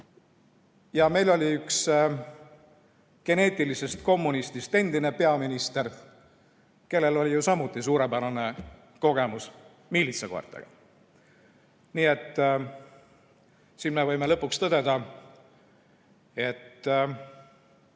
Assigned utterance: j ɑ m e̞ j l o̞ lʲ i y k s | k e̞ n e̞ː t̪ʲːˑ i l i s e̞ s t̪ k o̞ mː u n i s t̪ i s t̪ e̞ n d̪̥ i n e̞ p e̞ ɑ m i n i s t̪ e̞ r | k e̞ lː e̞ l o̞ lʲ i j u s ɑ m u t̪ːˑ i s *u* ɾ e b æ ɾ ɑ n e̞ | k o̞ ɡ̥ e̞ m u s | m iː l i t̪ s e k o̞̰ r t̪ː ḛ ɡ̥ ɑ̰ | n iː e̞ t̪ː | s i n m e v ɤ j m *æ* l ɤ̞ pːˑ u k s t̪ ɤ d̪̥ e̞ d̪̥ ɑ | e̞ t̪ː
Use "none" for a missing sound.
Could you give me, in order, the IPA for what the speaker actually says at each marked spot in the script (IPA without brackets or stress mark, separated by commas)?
uː, e